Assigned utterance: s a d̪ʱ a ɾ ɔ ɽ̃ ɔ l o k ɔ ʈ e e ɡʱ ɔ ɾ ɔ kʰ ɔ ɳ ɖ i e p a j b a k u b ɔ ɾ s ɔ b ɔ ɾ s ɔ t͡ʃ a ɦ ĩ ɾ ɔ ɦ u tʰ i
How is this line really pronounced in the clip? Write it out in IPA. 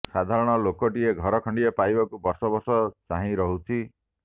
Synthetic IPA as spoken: s a d̪ʱ a ɾ ɔ ɽ̃ ɔ l o k ɔ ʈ i e ɡʱ ɔ ɾ ɔ kʰ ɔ ɳ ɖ i e p a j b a k u b ɔ ɾ s ɔ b ɔ ɾ s ɔ t͡ʃ a ɦ ĩ ɾ ɔ ɦ u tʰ i